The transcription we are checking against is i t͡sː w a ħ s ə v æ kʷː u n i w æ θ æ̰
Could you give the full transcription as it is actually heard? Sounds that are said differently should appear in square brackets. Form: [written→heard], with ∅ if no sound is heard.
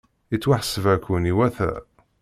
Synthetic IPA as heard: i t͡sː w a ħ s ə v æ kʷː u n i w æ θ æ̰